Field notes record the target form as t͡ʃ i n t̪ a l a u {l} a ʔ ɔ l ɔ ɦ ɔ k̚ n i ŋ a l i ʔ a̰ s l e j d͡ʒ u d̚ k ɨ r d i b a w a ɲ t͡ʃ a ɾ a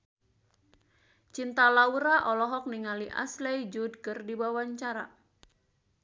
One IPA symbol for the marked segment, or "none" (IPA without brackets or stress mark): ɾ